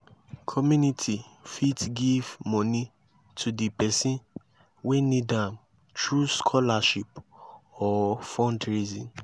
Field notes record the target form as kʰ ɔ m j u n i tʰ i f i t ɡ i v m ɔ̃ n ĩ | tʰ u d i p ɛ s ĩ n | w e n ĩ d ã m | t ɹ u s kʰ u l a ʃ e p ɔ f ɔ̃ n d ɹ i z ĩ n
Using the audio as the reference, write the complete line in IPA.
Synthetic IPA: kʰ ɔ m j u n i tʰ i f i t ɡ i v m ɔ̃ n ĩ | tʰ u d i p ɛ s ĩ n | w e n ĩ d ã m | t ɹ u s kʰ ɔ l a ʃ i p ɔ f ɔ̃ n d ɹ i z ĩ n